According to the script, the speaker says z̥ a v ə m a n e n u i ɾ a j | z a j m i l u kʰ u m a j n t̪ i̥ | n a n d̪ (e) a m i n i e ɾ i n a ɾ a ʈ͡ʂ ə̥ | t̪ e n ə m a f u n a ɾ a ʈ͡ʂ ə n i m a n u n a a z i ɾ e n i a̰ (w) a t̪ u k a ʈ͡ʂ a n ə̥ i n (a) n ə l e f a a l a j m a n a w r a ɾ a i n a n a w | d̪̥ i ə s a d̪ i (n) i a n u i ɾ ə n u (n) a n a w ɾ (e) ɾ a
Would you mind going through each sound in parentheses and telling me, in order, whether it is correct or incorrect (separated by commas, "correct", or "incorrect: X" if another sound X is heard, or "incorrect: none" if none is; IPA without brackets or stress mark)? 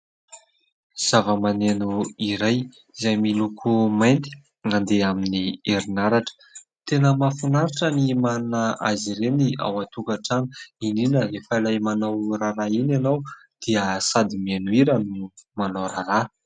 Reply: correct, correct, incorrect: i, incorrect: m, incorrect: m, incorrect: a